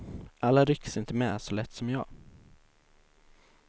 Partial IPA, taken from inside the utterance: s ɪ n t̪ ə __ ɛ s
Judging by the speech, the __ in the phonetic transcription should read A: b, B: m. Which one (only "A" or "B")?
B